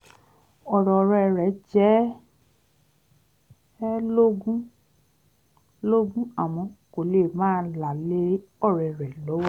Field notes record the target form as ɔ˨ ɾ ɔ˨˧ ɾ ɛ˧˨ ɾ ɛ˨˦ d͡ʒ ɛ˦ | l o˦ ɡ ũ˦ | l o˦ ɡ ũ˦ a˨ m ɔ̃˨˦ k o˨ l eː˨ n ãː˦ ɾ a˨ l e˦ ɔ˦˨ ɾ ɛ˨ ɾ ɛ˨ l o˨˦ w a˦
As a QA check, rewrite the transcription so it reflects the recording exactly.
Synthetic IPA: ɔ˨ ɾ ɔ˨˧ ɾ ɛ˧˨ ɾ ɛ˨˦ d͡ʒ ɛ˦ | l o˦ ɡ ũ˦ | l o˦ ɡ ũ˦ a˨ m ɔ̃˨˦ k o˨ l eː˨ m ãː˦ l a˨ l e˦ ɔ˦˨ ɾ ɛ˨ ɾ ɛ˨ l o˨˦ w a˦